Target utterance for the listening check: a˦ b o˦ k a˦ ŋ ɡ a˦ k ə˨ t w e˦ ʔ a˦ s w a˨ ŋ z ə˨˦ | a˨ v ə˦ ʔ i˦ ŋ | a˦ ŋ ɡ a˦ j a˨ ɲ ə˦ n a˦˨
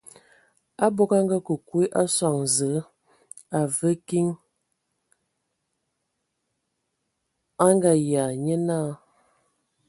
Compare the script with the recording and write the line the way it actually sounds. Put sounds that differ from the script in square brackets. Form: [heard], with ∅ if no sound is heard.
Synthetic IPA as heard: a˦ b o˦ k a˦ ŋ ɡ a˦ k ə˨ [k] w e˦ ʔ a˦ s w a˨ ŋ z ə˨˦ | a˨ v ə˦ [k] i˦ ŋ | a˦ ŋ ɡ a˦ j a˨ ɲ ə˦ n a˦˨